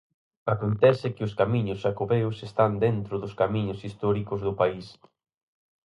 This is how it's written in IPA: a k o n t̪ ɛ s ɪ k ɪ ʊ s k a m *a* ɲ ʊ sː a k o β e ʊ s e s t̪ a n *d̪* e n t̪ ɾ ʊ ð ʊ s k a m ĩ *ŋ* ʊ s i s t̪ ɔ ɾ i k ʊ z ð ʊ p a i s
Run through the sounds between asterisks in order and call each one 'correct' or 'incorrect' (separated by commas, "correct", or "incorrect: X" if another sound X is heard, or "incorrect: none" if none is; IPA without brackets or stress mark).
incorrect: i, correct, incorrect: ɲ